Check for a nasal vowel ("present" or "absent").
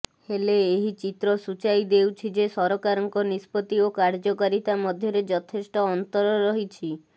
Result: absent